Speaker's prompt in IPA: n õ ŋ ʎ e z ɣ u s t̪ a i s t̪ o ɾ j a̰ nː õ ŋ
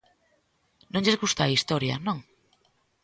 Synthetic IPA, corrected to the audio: n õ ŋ ʎ e z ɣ u s t̪ a i s t̪ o ɾ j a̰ n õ ŋ